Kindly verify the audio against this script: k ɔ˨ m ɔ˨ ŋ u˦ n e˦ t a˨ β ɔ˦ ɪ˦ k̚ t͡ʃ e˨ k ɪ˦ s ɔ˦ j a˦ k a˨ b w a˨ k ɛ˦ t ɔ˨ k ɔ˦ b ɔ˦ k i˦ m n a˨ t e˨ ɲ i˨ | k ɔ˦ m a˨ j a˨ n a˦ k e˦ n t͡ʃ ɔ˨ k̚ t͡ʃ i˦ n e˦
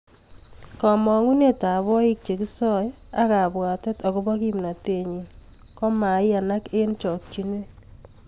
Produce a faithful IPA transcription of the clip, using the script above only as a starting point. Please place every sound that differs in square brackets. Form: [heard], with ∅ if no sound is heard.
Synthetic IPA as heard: k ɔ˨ m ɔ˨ ŋ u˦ n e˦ t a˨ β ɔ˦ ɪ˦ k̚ t͡ʃ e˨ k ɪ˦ s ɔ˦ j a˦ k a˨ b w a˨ [t] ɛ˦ t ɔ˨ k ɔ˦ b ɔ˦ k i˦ m n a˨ t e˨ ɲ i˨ | k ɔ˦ m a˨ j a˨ n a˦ k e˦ n t͡ʃ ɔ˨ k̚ t͡ʃ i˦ n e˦